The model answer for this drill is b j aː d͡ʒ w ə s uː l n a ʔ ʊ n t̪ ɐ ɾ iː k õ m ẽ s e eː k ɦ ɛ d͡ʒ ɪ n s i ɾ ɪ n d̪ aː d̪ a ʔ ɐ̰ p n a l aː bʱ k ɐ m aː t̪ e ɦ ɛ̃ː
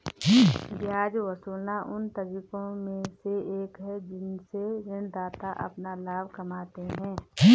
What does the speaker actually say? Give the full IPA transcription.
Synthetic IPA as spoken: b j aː d͡ʒ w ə s uː l n a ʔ ʊ n t̪ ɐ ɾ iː k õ m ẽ s e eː k ɦ ɛ d͡ʒ ɪ n s e ɾ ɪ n d̪ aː t̪ a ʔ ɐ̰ p n a l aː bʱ k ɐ m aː t̪ e ɦ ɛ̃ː